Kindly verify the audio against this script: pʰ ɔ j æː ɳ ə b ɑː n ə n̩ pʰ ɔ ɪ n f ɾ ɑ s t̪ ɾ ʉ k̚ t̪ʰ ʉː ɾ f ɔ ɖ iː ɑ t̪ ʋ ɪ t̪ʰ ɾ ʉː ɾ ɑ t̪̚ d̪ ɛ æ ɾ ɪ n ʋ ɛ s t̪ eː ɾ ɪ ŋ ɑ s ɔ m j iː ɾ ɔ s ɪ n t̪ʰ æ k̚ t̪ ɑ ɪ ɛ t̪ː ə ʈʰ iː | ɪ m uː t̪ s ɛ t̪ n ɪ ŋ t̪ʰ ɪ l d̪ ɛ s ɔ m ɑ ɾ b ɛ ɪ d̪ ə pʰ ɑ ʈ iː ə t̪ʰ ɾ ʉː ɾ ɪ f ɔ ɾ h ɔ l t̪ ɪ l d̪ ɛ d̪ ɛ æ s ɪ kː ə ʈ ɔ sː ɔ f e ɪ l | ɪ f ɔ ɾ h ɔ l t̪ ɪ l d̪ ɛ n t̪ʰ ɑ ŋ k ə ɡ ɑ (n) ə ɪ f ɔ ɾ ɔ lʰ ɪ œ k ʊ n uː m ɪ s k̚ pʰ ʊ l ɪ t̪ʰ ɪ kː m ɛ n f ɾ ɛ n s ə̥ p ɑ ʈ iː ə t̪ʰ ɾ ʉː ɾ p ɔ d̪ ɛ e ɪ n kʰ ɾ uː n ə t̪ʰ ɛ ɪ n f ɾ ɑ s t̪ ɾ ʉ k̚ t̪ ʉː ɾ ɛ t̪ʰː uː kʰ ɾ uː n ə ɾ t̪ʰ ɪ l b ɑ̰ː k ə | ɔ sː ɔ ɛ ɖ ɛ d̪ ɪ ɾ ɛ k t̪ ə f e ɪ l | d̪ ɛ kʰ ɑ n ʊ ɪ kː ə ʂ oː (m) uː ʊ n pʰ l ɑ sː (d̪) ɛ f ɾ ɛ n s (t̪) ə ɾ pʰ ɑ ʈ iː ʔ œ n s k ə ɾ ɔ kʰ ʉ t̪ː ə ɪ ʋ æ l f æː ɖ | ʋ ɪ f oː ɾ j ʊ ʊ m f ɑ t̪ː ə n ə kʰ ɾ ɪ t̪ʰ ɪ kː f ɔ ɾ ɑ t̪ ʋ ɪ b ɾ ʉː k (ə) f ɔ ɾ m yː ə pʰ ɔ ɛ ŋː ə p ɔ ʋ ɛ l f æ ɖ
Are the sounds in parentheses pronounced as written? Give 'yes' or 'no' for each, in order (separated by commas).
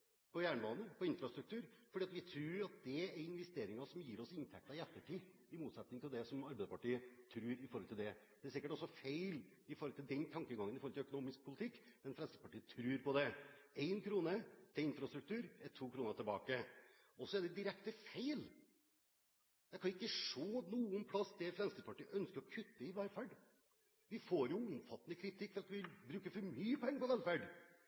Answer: no, no, yes, yes, yes